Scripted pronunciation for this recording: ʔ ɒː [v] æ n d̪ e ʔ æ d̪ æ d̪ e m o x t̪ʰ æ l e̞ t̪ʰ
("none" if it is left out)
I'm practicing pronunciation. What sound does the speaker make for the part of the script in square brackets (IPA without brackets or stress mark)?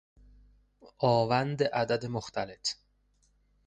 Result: v